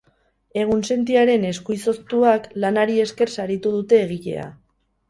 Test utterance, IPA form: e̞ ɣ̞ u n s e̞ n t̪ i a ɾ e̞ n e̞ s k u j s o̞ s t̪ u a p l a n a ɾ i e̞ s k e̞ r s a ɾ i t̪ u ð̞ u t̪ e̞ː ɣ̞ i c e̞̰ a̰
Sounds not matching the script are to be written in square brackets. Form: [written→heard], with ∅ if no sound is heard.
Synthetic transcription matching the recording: e̞ ɣ̞ u n s e̞ n t̪ i a ɾ e̞ n e̞ s k u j s o̞ s t̪ u a [p→k] l a n a ɾ i e̞ s k e̞ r s a ɾ i t̪ u ð̞ u t̪ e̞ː ɣ̞ i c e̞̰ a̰